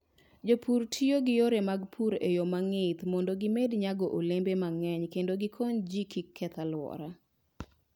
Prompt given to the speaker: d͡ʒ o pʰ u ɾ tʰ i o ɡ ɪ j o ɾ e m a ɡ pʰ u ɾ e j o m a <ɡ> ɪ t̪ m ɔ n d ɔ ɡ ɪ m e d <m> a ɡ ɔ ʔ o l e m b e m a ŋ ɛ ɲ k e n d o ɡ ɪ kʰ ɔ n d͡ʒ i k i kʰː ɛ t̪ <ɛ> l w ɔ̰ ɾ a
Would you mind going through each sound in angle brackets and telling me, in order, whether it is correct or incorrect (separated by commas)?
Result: incorrect, incorrect, incorrect